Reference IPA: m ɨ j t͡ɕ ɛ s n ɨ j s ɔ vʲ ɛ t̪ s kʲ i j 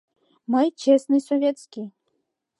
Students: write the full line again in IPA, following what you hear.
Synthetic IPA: m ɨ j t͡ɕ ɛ s n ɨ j s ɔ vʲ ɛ t̪ s kʲ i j